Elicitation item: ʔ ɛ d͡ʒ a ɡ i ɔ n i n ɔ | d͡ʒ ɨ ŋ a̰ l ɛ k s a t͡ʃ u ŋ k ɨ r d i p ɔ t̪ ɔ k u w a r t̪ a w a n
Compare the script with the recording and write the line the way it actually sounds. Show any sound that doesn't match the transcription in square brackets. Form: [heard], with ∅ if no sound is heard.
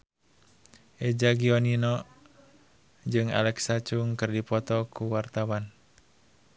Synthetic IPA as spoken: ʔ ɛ d͡ʒ a ɡ i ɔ n i n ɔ | d͡ʒ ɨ ŋ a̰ l ɛ k s a t͡ʃ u ŋ k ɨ r d i p ɔ t̪ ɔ k u w a r t̪ a w a n